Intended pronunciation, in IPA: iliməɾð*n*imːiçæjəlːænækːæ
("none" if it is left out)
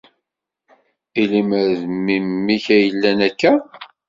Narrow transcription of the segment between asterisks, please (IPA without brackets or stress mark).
m